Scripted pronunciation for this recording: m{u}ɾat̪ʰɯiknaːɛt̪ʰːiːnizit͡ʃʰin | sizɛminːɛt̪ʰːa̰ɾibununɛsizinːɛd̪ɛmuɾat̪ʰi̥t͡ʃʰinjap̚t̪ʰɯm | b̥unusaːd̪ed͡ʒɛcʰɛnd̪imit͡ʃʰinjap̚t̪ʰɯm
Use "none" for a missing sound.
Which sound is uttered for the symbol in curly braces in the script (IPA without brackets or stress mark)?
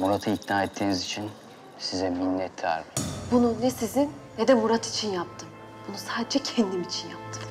u